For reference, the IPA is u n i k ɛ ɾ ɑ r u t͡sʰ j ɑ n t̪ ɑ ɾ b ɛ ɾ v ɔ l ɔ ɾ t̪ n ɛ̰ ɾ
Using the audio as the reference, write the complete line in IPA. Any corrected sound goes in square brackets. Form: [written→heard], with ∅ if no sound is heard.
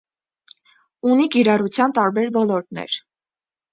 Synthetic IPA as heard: u n i k [ɛ→i] ɾ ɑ r u t͡sʰ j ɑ n t̪ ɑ ɾ b ɛ ɾ v ɔ l ɔ ɾ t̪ n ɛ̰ ɾ